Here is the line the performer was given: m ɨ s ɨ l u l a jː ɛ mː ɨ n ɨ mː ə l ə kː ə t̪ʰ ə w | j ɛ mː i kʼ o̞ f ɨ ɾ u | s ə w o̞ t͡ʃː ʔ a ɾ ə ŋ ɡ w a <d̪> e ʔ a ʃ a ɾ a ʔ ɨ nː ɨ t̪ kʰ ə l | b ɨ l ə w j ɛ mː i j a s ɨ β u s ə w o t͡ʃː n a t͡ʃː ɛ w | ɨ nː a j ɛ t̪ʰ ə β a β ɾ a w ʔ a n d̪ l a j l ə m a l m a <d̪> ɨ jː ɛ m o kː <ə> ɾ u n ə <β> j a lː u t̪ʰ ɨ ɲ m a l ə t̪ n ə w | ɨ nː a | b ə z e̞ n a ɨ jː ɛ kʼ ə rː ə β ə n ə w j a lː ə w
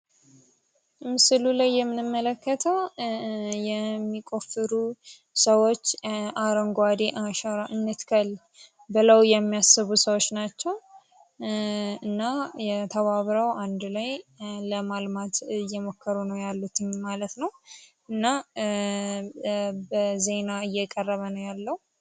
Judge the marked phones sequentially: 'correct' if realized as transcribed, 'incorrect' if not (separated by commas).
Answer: correct, incorrect, correct, incorrect